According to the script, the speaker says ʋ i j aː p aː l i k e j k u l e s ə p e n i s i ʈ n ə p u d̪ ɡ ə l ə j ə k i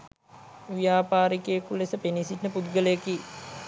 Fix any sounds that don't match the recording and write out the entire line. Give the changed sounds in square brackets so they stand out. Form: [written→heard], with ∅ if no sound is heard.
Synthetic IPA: ʋ i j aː p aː [l→ɾ] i k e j k u l e s ə p e n i s i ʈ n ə p u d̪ ɡ ə l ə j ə k i